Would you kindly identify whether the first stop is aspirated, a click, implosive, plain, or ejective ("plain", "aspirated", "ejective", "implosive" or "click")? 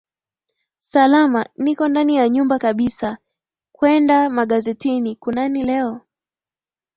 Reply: plain